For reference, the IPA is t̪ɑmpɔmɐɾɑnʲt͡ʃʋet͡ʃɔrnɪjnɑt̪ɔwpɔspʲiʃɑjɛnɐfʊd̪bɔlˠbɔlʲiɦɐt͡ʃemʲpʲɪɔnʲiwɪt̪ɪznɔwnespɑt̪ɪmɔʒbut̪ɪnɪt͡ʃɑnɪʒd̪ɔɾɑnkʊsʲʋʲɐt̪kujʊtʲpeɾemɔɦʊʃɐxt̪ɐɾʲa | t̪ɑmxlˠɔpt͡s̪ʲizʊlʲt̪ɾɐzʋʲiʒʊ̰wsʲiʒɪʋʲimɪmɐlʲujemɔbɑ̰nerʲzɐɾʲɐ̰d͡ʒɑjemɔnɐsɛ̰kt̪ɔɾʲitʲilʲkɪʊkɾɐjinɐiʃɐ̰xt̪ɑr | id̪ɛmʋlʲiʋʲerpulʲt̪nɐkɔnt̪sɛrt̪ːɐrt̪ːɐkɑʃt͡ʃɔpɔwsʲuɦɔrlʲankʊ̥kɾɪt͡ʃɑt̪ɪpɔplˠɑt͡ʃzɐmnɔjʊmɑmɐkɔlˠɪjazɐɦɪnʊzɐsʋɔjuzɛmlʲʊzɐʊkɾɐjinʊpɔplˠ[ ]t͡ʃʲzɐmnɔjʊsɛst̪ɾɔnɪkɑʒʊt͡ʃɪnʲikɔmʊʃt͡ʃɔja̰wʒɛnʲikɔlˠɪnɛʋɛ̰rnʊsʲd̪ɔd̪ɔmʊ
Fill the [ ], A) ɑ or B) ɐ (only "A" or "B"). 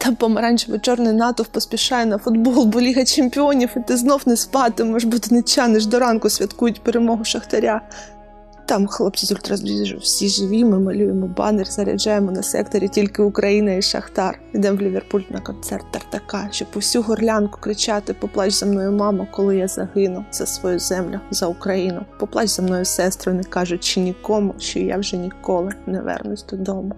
A